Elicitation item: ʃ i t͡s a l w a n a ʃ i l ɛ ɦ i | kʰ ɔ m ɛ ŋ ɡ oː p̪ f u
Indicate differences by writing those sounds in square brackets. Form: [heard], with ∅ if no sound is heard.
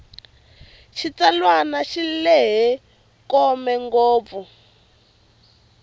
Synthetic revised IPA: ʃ i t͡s a l w a n a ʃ i l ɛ ɦ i | [k] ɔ m ɛ ŋ ɡ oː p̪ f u